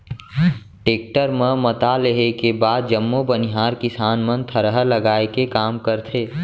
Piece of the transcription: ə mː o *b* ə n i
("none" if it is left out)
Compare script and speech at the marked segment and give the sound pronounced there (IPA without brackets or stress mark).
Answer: b